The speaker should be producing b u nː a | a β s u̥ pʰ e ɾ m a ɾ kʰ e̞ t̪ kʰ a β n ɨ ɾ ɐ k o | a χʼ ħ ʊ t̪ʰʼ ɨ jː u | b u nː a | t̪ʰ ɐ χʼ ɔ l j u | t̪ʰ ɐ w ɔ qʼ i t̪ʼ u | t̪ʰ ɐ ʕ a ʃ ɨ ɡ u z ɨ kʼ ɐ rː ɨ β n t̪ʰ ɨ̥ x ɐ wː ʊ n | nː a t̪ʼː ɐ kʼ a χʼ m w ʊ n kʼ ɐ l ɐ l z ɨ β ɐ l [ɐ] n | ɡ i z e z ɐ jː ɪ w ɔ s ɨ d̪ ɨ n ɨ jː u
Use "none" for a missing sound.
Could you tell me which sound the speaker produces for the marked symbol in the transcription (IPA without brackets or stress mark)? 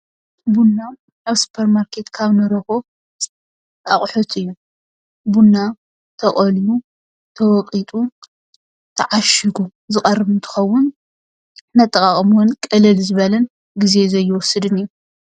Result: ɐ